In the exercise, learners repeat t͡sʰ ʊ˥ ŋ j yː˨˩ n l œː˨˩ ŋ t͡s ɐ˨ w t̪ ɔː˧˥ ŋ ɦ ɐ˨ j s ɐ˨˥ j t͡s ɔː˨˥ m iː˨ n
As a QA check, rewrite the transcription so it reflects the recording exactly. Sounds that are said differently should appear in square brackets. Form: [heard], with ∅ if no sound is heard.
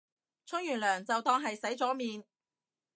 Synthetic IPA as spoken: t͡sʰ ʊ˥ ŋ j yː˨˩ n l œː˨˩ ŋ t͡s ɐ˨ w t̪ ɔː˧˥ ŋ ɦ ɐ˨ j s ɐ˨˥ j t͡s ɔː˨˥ m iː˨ n